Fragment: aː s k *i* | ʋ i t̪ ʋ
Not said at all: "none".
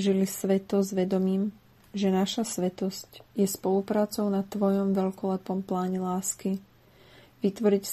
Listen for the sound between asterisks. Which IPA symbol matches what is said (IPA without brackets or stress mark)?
i